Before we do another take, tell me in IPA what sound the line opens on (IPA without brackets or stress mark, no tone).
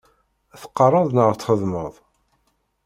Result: θ